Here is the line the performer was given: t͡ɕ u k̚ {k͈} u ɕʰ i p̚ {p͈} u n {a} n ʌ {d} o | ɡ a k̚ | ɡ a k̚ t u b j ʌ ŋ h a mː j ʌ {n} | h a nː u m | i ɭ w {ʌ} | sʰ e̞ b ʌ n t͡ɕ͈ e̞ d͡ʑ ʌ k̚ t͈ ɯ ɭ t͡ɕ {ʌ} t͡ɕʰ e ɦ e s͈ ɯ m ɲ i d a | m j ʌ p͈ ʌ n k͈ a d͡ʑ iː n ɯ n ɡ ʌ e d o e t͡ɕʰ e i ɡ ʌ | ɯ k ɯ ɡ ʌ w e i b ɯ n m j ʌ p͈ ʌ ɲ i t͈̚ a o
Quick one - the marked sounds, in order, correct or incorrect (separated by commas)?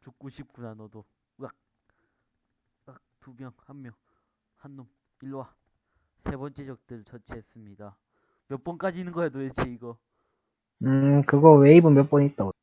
correct, incorrect, correct, correct, incorrect, incorrect, correct